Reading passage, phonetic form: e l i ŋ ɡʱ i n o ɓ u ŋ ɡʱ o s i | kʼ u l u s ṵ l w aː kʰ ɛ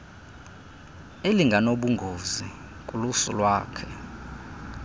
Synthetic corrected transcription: e l i ŋ ɡʱ a n o ɓ u ŋ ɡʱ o z i | kʼ u l u s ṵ l w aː kʰ ɛ